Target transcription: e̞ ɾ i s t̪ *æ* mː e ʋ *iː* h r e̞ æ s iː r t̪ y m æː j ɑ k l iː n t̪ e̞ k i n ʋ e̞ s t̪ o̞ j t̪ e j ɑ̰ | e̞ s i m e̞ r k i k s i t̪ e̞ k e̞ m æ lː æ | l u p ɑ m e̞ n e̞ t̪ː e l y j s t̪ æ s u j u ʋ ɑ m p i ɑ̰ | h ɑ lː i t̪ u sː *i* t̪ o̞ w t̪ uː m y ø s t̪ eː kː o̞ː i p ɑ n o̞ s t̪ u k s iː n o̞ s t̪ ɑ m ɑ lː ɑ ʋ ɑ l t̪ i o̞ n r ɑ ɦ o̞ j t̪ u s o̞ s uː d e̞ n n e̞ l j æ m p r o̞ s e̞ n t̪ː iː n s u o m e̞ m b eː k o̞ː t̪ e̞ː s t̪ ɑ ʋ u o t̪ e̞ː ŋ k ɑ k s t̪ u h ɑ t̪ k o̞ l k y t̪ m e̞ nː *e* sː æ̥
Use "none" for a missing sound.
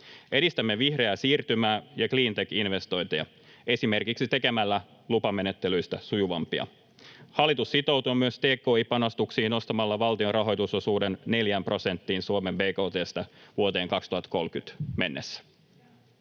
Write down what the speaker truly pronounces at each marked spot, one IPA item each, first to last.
æ, i, i, e

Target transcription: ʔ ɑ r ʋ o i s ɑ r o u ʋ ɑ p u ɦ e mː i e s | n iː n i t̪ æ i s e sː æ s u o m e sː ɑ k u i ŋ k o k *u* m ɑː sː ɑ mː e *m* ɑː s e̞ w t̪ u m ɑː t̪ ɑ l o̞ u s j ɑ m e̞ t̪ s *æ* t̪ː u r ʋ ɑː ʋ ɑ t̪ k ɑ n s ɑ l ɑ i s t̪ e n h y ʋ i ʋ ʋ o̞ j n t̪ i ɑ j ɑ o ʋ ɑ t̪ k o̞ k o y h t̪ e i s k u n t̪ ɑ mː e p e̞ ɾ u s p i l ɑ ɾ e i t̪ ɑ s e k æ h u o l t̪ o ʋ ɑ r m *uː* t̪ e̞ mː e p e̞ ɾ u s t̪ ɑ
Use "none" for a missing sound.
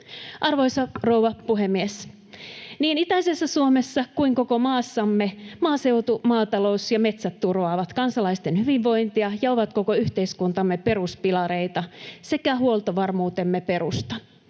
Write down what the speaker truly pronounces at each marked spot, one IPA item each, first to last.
o, m, æ, uː

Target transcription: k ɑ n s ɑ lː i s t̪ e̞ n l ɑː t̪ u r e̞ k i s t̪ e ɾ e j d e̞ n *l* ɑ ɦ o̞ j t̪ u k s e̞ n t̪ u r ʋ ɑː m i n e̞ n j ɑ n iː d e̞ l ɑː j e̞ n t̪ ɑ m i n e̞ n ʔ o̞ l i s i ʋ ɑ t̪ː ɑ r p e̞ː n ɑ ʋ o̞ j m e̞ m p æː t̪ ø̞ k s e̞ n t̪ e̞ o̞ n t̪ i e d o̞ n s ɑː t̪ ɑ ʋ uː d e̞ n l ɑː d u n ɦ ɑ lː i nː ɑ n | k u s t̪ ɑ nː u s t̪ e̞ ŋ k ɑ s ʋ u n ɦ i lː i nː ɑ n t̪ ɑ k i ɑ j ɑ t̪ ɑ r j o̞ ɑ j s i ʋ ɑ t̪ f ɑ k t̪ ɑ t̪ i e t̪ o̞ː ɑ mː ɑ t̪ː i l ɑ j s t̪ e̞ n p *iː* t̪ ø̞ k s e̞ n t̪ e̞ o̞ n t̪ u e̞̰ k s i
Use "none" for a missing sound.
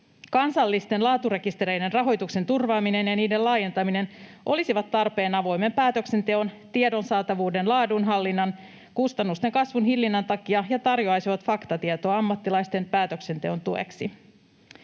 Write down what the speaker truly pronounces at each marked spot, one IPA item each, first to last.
r, æː

